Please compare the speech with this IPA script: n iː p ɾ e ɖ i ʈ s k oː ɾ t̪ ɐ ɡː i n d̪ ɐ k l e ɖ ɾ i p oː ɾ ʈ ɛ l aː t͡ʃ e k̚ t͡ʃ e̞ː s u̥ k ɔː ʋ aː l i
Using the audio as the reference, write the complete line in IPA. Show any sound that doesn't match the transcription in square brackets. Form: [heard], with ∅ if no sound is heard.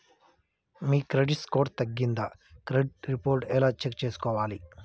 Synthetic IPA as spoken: [m] iː [k] ɾ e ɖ i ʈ s k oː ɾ t̪ ɐ ɡː i n d̪ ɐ k [ɾ] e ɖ ɾ i p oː ɾ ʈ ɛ l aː t͡ʃ e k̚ t͡ʃ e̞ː s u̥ k ɔː ʋ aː l i